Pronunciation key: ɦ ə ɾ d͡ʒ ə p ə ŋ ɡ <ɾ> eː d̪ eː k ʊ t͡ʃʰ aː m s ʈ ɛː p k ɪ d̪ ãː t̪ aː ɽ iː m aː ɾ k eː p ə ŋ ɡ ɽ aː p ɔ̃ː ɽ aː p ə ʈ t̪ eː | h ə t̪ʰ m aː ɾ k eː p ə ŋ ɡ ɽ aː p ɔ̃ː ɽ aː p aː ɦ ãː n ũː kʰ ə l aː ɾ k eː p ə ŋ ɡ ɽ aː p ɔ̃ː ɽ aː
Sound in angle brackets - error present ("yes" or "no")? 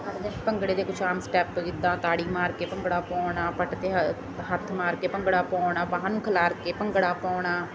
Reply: yes